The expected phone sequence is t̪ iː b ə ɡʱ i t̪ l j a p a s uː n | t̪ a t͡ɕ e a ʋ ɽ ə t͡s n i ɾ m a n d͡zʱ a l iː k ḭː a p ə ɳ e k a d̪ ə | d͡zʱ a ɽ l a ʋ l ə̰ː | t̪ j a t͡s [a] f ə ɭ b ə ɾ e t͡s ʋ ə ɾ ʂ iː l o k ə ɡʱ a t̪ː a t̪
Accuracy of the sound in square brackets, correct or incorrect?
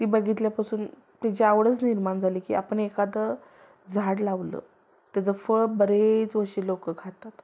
incorrect